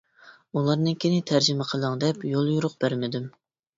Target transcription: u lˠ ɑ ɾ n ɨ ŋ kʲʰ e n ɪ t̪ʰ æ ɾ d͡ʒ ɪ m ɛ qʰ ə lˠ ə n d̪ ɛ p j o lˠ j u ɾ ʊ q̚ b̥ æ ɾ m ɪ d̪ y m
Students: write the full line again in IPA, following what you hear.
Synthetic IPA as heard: u lˠ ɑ ɾ n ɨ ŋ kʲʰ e n ɪ t̪ʰ æ ɾ d͡ʒ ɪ m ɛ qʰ ə lˠ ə ŋ d̪ ɛ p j o lˠ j u ɾ ʊ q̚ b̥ æ ɾ m ɪ d̪ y m

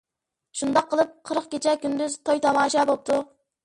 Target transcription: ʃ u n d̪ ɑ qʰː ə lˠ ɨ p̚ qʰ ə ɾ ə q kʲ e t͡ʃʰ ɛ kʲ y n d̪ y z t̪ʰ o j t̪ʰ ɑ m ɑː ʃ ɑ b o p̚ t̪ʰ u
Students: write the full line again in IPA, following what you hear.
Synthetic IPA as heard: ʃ u n d̪ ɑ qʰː ə lˠ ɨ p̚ qʰ ə ɾ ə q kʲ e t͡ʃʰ ɛ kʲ y n d̪ y z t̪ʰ o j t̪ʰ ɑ m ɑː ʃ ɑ b o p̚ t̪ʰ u

